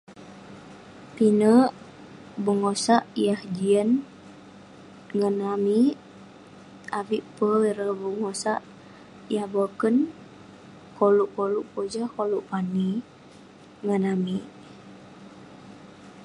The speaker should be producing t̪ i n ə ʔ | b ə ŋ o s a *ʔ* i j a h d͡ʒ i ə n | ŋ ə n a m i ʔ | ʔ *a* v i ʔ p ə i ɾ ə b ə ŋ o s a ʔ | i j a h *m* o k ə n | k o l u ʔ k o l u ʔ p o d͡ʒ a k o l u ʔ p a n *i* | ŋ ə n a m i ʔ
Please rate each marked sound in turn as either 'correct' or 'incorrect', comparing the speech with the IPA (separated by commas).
correct, correct, incorrect, correct